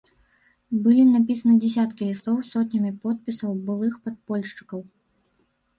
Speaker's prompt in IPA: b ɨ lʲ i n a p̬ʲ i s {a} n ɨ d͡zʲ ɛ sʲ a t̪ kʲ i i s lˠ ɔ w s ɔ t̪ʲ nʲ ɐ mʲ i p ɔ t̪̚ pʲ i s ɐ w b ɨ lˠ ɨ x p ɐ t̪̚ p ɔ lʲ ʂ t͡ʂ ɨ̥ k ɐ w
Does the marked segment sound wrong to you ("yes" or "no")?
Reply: yes